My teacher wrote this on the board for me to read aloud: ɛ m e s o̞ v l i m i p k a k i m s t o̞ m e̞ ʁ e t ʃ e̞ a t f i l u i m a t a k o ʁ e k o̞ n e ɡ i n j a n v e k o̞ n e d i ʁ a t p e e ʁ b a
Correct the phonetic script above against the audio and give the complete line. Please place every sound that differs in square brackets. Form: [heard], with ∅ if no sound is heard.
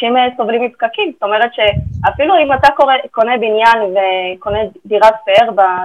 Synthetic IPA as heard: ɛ m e s o̞ v l i m i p k a k i m s t o̞ m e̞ ʁ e t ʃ e̞ a [∅] f i l u i m a t a k o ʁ e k o̞ n e [b] i n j a n v e k o̞ n e d i ʁ a t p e e ʁ b a